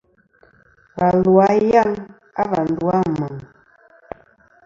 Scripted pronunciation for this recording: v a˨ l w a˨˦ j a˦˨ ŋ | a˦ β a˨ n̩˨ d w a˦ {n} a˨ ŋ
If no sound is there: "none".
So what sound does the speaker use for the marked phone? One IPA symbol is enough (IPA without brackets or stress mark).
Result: m